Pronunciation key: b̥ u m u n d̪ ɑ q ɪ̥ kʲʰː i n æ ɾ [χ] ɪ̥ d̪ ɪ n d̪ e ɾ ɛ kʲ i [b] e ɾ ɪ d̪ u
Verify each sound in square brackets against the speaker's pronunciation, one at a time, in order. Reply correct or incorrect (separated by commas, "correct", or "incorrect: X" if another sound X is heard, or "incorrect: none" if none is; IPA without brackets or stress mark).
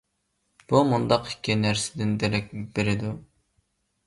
incorrect: s, correct